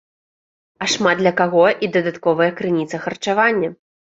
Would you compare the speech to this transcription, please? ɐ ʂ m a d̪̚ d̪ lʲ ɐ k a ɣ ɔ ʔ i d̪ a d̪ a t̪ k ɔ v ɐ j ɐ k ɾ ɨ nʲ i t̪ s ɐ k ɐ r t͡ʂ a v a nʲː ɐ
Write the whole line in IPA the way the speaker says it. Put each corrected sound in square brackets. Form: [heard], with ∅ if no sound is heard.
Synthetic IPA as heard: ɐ ʂ m a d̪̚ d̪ lʲ ɐ k a ɣ ɔ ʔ i d̪ [ɐ] d̪ a t̪ k ɔ v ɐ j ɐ k ɾ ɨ nʲ i t̪ s ɐ [x] ɐ r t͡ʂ a v a nʲː ɐ